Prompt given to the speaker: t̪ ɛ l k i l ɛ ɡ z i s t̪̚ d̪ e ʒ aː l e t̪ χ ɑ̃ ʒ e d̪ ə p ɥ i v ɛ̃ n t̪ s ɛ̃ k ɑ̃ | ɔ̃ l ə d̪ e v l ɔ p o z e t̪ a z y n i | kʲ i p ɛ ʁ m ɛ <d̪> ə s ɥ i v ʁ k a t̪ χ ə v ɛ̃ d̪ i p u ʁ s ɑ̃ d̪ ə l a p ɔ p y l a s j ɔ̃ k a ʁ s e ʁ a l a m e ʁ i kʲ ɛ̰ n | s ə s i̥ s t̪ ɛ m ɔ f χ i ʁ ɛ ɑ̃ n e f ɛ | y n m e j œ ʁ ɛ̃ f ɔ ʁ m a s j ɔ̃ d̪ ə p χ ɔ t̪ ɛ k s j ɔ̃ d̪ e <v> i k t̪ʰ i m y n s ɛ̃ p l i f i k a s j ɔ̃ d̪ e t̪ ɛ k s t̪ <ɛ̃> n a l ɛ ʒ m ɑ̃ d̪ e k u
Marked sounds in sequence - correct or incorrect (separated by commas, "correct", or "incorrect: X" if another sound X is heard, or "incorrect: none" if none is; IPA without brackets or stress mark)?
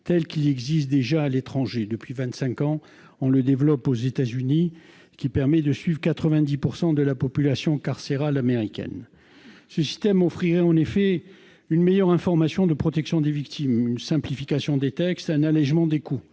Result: correct, correct, correct